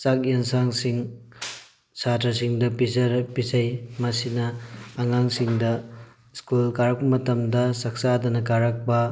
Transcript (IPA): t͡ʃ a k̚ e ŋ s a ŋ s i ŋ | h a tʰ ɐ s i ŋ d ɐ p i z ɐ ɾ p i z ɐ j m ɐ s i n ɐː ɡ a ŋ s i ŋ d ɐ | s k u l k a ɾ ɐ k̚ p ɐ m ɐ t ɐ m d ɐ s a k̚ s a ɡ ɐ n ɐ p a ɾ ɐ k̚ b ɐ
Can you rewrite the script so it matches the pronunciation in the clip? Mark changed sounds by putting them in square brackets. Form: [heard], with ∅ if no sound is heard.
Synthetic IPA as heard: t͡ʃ a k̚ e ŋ s a ŋ s i ŋ | [s] a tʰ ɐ s i ŋ d ɐ p i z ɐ ɾ p i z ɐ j m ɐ s i n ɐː [ŋ] a ŋ s i ŋ d ɐ | s k u l k a ɾ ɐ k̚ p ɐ m ɐ t ɐ m d ɐ s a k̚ s a [d] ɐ n ɐ [k] a ɾ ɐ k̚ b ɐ